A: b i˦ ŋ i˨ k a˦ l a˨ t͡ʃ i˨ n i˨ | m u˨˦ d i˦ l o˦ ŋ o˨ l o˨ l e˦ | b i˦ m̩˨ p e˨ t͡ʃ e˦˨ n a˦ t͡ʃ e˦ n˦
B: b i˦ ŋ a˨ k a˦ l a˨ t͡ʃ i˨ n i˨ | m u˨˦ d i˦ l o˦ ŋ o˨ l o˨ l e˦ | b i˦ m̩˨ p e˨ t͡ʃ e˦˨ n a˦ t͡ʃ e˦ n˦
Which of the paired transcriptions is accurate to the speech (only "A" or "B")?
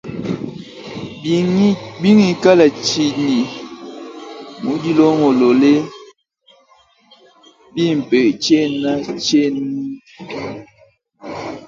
A